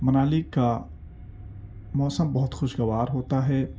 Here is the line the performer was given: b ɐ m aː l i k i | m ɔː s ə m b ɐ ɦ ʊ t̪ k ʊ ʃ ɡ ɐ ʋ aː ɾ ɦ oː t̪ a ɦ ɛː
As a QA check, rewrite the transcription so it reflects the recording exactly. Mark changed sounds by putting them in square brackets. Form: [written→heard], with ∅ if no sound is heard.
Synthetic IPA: [b→m] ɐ [m→n] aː l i k [i→a] | m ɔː s ə m b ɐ ɦ ʊ t̪ [k→x] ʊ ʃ ɡ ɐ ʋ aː ɾ ɦ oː t̪ a ɦ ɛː

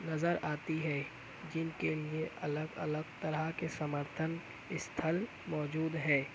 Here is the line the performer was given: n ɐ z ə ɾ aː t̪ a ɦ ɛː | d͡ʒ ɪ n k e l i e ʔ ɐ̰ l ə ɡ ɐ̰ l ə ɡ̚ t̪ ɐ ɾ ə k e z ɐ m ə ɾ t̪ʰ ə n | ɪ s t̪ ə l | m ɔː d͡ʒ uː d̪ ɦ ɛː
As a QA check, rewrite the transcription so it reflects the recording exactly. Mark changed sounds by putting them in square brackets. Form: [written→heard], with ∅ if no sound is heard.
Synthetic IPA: n ɐ z ə ɾ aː t̪ [a→i] ɦ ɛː | d͡ʒ ɪ n k e l i e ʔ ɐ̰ l ə ɡ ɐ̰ l ə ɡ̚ t̪ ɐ ɾ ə k e [z→s] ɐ m ə ɾ t̪ʰ ə n | ɪ s [t̪→t̪ʰ] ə l | m ɔː d͡ʒ uː d̪ ɦ ɛː

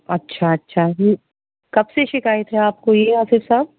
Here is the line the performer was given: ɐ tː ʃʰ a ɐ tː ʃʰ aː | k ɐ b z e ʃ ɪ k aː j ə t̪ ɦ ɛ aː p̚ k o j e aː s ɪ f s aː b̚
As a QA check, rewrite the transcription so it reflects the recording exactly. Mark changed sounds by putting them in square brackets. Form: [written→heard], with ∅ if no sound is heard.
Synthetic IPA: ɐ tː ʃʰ a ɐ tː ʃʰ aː | k ɐ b [z→s] e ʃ ɪ k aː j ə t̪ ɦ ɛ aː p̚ k o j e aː s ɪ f s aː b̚

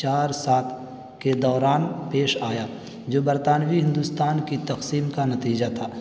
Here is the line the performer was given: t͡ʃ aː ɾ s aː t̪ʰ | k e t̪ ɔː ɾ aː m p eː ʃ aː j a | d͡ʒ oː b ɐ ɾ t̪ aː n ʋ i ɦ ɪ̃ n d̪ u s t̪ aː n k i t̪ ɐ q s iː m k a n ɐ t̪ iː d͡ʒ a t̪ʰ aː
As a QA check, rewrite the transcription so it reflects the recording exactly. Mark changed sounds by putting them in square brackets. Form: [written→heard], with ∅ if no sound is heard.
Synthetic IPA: t͡ʃ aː ɾ s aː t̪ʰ | k e [t̪→d̪] ɔː ɾ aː [m→n] p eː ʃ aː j a | d͡ʒ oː b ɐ ɾ t̪ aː n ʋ i ɦ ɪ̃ n d̪ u s t̪ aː n k i t̪ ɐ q s iː m k a n ɐ t̪ iː d͡ʒ a t̪ʰ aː

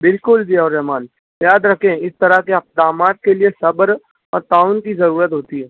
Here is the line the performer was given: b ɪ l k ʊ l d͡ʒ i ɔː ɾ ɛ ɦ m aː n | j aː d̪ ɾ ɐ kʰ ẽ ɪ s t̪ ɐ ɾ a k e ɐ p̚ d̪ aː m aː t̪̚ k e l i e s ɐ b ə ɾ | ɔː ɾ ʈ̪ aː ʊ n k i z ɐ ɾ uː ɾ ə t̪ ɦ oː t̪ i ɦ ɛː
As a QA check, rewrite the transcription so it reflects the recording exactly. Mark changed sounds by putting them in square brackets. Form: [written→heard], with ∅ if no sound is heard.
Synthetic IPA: b ɪ l k ʊ l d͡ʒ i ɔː ɾ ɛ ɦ m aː n | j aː d̪ ɾ ɐ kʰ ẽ ɪ s t̪ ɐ ɾ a k e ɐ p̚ d̪ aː m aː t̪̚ k e l i e s ɐ b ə ɾ | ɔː ɾ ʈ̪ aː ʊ n k i z ɐ ɾ uː ɾ ə t̪ ɦ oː t̪ i ɦ ɛː

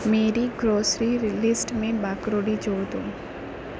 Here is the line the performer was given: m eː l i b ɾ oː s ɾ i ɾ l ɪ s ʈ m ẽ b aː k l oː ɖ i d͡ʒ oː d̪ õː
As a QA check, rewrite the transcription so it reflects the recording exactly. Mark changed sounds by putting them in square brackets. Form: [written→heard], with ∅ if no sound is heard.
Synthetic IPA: m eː [l→ɾ] i [b→ɡ] ɾ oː s ɾ i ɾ l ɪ s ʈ m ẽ b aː k [l→ɾ] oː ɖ i d͡ʒ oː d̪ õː

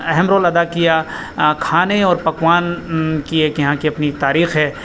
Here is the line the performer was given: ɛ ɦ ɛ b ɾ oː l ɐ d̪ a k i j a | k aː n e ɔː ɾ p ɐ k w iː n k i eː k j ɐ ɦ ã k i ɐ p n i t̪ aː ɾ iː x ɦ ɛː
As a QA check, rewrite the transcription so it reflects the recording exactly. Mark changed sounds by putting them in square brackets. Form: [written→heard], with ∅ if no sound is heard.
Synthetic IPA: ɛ ɦ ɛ [b→m] ɾ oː l ɐ d̪ a k i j a | [k→kʰ] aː n e ɔː ɾ p ɐ k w [iː→aː] n k i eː k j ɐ ɦ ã k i ɐ p n i t̪ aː ɾ iː x ɦ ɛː

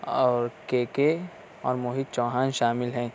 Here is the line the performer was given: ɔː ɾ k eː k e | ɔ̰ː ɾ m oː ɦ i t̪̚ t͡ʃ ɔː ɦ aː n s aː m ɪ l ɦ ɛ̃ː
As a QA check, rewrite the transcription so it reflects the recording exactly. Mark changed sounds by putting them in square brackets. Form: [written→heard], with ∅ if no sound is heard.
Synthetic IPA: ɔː ɾ k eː k e | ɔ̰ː ɾ m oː ɦ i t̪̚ t͡ʃ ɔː ɦ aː n [s→ʃ] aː m ɪ l ɦ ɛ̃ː

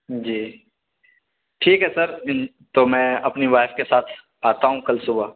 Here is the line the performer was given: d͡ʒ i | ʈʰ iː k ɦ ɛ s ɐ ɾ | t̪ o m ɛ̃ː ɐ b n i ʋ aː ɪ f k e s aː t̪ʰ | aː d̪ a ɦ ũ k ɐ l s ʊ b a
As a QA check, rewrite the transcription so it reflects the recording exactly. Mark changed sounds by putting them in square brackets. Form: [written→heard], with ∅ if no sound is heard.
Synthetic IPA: d͡ʒ [i→iː] | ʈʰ iː k ɦ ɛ s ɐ ɾ | t̪ o m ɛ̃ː ɐ [b→p] n i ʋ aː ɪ f k e s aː t̪ʰ | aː [d̪→t̪] a ɦ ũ k ɐ l s ʊ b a

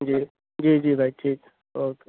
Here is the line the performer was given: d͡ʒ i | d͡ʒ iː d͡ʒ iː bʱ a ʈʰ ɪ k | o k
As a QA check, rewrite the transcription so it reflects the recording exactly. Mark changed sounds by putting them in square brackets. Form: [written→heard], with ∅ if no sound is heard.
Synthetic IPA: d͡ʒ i | d͡ʒ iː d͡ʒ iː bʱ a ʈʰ [ɪ→i] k | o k

